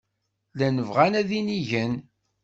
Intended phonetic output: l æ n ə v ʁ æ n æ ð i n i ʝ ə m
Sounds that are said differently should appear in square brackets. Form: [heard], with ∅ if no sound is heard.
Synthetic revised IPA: l æ n ə v ʁ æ n æ ð i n i ʝ ə [n]